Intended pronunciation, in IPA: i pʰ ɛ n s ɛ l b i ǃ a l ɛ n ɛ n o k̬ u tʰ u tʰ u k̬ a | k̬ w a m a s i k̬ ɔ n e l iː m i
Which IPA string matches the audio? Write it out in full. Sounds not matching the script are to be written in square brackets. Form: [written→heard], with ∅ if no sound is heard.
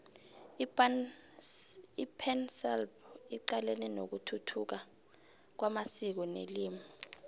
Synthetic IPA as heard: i pʰ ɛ n s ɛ l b i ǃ a l ɛ n ɛ n o k̬ u tʰ u tʰ u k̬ a | k̬ w a m a s i k̬ ɔ n e l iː m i